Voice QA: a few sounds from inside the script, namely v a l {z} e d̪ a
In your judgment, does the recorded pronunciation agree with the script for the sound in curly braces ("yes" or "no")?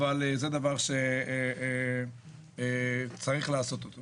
yes